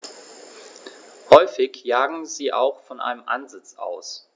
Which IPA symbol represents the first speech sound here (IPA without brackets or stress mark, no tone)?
h